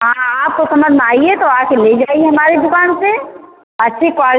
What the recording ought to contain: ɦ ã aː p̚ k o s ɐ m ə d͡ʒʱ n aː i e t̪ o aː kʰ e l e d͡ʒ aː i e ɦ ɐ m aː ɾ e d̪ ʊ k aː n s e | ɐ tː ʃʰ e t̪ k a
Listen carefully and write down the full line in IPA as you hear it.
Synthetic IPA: ɦ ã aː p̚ k o s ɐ m ə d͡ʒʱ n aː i e t̪ o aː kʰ e l e d͡ʒ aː i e ɦ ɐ m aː ɾ e d̪ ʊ k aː n s e | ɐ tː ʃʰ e k a